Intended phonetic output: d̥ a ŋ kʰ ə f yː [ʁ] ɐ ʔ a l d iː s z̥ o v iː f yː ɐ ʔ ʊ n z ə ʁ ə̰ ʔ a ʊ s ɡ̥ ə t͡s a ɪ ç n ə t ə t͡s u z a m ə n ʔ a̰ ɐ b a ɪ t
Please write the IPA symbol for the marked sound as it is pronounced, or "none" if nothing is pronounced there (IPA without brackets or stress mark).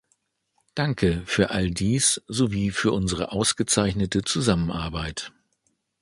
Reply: none